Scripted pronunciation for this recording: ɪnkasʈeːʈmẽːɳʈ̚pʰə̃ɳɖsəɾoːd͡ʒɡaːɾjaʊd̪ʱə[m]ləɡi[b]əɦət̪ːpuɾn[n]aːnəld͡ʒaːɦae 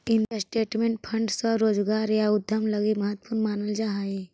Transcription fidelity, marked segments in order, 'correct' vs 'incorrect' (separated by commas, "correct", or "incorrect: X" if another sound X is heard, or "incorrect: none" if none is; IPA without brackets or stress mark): correct, incorrect: m, incorrect: m